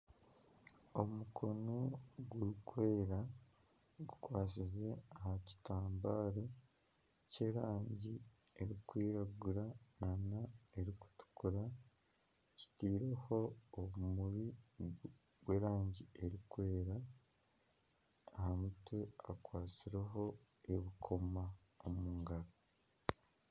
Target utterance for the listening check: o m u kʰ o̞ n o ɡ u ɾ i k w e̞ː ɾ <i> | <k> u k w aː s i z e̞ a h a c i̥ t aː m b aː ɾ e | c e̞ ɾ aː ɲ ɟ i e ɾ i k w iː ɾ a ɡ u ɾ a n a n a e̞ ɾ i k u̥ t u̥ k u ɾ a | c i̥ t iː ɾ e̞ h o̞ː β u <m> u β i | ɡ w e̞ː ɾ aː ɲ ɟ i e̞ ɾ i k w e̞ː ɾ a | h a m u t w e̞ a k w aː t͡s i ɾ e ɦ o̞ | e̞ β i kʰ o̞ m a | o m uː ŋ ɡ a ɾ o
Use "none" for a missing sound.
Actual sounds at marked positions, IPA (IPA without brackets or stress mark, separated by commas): a, ɡ, m